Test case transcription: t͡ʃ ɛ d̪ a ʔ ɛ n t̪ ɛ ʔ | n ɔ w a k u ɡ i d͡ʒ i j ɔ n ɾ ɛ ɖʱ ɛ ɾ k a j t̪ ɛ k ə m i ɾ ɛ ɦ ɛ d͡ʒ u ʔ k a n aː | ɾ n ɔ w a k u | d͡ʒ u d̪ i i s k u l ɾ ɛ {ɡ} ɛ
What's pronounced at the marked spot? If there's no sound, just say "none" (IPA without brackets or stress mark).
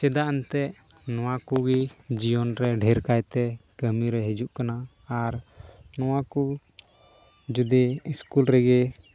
ɡ